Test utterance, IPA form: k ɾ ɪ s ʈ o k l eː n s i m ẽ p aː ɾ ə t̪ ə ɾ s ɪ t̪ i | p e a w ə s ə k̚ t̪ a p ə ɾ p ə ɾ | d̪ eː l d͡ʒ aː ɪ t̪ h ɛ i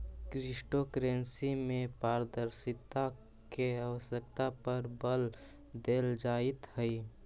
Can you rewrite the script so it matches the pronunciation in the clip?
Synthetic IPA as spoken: k ɾ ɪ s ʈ o k ɾ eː n s i m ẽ p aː ɾ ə d̪ ə ɾ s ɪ t̪ a | k e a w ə s ə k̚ t̪ a p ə ɾ b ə l | d̪ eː l d͡ʒ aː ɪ t̪ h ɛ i